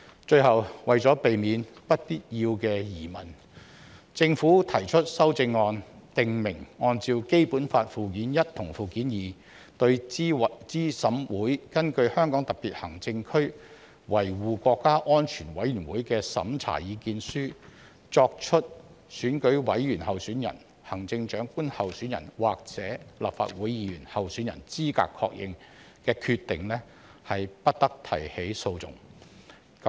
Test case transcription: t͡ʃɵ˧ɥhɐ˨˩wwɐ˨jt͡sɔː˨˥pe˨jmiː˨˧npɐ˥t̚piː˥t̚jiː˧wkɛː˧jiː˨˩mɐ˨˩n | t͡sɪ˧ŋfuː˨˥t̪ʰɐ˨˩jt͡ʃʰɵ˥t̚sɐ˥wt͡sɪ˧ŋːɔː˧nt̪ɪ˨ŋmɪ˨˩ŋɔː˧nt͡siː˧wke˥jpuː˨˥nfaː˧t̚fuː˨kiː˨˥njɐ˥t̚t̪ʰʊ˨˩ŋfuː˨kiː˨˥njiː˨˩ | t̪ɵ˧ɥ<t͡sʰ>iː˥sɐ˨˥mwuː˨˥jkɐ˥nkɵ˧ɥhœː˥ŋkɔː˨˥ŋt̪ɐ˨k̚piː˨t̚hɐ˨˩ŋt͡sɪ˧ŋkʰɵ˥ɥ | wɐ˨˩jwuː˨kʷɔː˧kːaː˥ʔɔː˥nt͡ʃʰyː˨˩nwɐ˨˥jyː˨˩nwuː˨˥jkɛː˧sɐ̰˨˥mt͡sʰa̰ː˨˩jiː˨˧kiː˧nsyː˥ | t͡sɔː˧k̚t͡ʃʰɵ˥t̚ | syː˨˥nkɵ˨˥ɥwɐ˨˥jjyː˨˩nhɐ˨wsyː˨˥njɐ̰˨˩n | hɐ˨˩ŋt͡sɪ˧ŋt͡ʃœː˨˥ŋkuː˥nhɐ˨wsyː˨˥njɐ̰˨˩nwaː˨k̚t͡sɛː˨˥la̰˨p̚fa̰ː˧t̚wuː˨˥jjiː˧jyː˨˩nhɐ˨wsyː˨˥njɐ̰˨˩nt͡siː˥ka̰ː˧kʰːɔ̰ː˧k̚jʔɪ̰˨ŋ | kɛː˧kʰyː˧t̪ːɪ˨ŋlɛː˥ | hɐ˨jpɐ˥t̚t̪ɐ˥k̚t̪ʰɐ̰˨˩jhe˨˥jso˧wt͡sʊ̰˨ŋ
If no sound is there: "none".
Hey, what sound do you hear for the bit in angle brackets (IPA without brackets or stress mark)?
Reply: t͡s